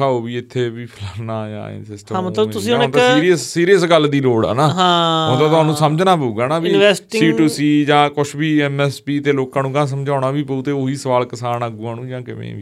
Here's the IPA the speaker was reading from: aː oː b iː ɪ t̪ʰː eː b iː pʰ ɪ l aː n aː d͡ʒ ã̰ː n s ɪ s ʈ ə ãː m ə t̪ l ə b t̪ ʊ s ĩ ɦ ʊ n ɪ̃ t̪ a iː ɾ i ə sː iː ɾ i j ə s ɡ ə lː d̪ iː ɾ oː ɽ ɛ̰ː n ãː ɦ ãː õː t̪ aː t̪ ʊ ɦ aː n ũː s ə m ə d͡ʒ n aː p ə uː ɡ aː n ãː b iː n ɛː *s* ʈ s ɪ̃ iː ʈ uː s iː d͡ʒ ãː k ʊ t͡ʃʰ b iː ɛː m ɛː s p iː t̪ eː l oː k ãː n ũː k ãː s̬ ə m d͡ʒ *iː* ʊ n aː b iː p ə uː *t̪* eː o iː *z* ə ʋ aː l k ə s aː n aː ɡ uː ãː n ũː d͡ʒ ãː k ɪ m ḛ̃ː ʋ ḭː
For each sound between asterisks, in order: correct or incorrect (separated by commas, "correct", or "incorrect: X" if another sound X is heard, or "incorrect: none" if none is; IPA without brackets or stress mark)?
correct, incorrect: aː, correct, incorrect: s